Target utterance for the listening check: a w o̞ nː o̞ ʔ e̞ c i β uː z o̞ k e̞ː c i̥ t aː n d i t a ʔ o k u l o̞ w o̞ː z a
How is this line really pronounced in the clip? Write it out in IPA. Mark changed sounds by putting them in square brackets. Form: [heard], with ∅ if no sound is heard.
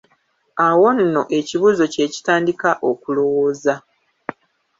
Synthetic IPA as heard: a w o̞ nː o̞ ʔ e̞ c i β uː z o̞ [c] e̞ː c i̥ t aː n d i [k] a ʔ o k u l o̞ w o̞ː z a